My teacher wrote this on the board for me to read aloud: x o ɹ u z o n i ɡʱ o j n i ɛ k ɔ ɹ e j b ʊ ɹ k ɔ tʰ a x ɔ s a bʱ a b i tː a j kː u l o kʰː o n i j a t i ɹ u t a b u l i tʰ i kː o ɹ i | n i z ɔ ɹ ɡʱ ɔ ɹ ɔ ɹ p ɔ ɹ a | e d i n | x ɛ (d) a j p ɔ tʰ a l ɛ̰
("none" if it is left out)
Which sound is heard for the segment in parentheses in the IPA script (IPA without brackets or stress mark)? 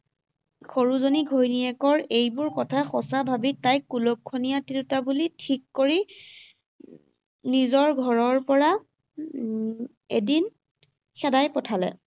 d